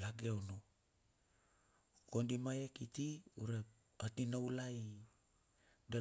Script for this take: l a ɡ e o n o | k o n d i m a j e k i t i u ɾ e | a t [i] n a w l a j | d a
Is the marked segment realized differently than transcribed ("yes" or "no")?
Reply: no